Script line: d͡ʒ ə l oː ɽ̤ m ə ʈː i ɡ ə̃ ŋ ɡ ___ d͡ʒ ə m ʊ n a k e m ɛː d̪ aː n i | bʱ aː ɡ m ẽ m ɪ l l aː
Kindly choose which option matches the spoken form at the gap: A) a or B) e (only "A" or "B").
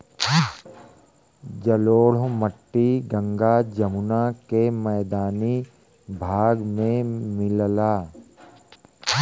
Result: A